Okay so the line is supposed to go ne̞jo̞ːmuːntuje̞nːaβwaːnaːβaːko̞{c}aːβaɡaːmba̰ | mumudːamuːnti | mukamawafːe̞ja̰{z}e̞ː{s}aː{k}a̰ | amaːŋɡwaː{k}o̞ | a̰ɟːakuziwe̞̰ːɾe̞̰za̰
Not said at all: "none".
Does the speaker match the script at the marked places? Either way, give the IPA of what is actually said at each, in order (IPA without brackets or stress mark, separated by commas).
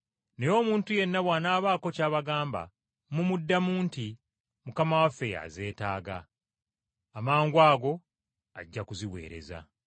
c, z, t, ɡ, ɡ